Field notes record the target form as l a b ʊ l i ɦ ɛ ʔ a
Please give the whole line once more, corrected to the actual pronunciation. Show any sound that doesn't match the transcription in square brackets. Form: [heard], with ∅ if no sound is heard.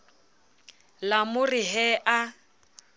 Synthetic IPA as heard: l a [m] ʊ [r] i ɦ ɛ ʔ a